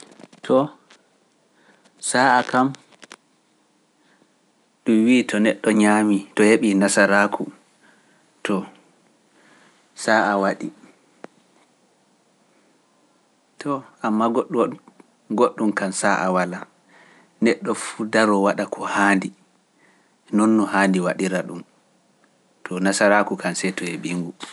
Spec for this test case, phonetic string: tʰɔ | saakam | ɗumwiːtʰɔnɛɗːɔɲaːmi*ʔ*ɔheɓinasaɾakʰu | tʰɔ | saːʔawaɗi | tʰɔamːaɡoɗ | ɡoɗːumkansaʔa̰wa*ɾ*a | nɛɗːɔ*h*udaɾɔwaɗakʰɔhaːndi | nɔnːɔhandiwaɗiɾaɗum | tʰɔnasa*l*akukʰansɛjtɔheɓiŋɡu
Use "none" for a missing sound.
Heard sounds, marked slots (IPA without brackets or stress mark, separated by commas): t, l, f, ɾ